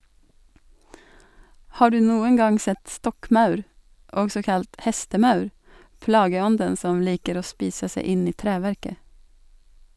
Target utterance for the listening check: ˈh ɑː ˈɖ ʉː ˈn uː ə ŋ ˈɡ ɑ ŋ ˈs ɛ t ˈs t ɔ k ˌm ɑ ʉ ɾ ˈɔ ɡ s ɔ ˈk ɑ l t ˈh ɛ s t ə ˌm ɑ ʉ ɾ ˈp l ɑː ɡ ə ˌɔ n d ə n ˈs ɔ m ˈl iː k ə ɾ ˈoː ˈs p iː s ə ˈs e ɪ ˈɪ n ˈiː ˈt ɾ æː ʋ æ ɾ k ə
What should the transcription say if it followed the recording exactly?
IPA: ˈh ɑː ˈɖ ʉː ˈn uː ə ŋ ˈɡ ɑ ŋ ˈs ɛ t ˈs t ɔ k ˌm ɑ ʉ ɾ ˈɔ ɡ s ɔ ˈk ɑ l t ˈh ɛ s t ə ˌm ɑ ʉ ɾ ˈp l ɑː ɡ ə ˌɔ n d ə n ˈs ɔ m ˈl iː k ə ɾ ˈoː ˈs p iː s ə ˈs e ɪ ˈɪ n ˈiː ˈt ɾ æː ʋ æ ɾ k ə

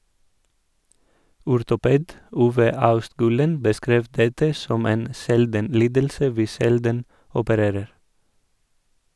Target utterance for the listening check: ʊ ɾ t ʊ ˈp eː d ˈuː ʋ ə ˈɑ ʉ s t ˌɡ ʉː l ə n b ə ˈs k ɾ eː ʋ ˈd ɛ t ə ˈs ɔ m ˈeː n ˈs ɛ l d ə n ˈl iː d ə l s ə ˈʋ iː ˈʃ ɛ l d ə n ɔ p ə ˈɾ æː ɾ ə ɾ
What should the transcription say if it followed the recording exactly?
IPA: ʊ ɾ t ʊ ˈp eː d ˈuː ʋ ə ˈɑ ʉ s t ˌɡ ʉː l ə n b ə ˈs k ɾ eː ʋ ˈd ɛ t ə ˈs ɔ m ˈeː n ˈs ɛ l d ə n ˈl iː d ə l s ə ˈʋ iː ˈʃ ɛ l d ə n ɔ p ə ˈɾ eː ɾ ə ɾ

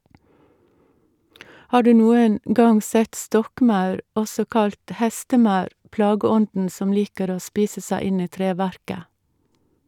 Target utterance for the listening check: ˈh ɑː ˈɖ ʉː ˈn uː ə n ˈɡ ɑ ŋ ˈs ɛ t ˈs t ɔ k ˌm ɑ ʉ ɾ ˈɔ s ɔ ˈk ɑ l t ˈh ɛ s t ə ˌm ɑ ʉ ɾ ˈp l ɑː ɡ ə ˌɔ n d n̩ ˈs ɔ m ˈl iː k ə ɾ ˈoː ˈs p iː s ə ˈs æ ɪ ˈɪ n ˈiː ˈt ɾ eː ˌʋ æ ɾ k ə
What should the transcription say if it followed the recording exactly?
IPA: ˈh ɑː ˈɖ ʉː ˈn uː ə n ˈɡ ɑ ŋ ˈs ɛ t ˈs t ɔ k ˌm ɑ ʉ ɾ ˈɔ s ɔ ˈk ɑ l t ˈh ɛ s t ə ˌm ɑ ʉ ɾ ˈp l ɑː ɡ ə ˌɔ n d n̩ ˈs ɔ m ˈl iː k ə ɾ ˈoː ˈs p iː s ə ˈs æ ɪ ˈɪ n ˈiː ˈt ɾ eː ˌʋ æ ɾ k ə

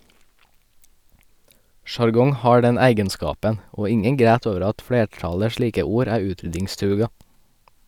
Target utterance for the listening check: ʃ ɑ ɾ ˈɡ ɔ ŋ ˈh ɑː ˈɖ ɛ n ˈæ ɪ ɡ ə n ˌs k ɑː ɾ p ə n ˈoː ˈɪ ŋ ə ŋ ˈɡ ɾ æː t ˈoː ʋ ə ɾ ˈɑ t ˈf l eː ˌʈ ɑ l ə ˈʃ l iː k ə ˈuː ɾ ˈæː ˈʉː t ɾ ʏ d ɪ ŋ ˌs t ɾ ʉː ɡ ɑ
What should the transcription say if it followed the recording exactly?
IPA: ʃ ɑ ɾ ˈɡ ɔ ŋ ˈh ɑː ˈɖ ɛ n ˈæ ɪ ɡ ə n ˌs k ɑː p ə n ˈoː ˈɪ ŋ ə ŋ ˈɡ ɾ æː t ˈoː ʋ ə ɾ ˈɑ t ˈf l eː ˌʈ ɑ l ə ˈʃ l iː k ə ˈuː ɾ ˈæː ˈʉː t ɾ ʏ d ɪ ŋ ˌs t ɾ ʉː ɡ ɑ

